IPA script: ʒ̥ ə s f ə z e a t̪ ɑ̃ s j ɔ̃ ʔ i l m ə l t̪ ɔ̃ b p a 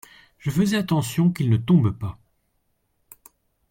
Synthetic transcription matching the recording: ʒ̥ ə f ə z ɛ a t̪ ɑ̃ s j ɔ̃ k i l n ə t̪ ɔ̃ b p a